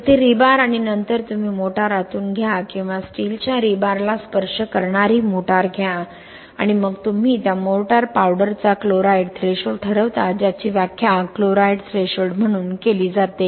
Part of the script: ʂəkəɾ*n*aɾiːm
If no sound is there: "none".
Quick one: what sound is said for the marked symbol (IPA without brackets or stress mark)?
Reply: ɳ